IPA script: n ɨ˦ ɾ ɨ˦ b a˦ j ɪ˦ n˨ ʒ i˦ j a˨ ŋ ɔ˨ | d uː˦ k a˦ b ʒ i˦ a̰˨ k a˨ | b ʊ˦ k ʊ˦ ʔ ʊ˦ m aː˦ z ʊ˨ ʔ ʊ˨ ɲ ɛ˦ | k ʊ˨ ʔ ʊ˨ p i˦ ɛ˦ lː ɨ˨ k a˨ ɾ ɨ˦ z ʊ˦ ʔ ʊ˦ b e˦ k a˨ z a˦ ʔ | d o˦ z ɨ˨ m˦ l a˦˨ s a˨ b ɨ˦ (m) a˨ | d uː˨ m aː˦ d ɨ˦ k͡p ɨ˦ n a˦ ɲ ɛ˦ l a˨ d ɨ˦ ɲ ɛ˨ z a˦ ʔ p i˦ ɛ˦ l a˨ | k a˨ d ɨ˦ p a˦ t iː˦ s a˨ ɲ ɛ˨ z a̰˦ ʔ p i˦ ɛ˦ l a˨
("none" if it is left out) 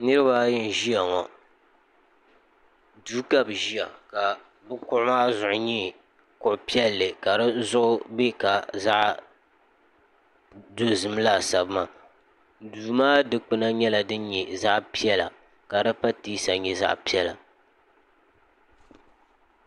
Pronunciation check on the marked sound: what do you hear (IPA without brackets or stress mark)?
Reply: m